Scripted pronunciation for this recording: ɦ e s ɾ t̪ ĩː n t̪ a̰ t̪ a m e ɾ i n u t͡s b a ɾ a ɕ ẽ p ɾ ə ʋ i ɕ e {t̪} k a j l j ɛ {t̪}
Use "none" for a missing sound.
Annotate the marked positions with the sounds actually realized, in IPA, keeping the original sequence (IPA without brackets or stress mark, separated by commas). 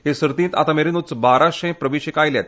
none, t̪